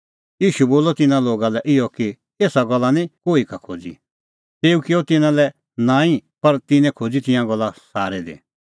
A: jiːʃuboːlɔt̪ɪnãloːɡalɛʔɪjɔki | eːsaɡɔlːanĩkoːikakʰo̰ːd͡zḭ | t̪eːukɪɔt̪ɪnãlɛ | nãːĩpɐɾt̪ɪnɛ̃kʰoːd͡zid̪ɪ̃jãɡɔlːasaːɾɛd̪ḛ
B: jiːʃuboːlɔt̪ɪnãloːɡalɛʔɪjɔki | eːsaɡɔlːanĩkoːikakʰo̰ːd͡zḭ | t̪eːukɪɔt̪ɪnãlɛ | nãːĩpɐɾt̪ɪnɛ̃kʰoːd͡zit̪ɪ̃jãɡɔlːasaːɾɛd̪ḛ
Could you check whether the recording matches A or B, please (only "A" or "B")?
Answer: B